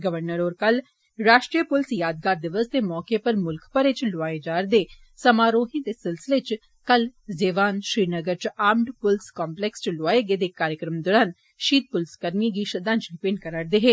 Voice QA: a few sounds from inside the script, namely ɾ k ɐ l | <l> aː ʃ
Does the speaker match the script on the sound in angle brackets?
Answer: no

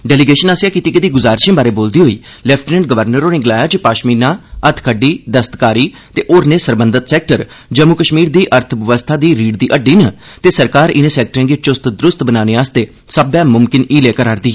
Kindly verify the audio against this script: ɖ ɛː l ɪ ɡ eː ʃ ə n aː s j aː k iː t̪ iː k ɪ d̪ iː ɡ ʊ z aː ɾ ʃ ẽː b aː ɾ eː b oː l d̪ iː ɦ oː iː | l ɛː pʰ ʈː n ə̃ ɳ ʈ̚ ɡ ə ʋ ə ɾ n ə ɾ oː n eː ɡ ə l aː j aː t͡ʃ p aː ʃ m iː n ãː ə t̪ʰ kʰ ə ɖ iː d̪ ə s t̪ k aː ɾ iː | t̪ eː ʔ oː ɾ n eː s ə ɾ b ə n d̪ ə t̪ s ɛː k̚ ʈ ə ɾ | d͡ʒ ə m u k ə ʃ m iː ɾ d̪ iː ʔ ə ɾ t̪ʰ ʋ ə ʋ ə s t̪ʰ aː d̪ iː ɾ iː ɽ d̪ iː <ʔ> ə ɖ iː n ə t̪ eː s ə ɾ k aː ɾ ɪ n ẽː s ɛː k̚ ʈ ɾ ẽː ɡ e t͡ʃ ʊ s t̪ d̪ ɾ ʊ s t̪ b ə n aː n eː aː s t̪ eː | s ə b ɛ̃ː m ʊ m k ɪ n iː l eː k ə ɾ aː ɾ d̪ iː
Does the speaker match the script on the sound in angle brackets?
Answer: yes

